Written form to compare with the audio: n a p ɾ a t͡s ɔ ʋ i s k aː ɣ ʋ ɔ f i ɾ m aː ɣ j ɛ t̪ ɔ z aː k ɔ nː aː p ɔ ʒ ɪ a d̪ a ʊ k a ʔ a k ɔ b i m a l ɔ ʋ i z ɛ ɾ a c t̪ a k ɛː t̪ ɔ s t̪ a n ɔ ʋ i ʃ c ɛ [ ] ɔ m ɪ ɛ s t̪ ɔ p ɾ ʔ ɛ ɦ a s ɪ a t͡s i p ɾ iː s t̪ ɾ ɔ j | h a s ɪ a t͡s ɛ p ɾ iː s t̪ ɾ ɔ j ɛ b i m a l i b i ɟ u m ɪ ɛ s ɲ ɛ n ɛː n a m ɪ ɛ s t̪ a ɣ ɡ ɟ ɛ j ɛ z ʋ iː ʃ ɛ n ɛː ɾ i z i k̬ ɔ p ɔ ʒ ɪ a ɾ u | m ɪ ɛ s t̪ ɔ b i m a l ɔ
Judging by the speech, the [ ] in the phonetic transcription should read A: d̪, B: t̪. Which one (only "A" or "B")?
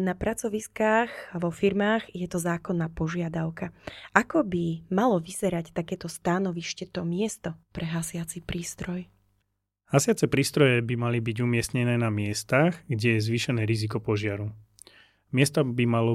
B